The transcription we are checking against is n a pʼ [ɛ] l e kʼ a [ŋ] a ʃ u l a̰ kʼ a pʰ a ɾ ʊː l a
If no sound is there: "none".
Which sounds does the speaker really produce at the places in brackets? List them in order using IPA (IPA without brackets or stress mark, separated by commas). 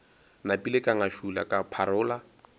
i, ŋ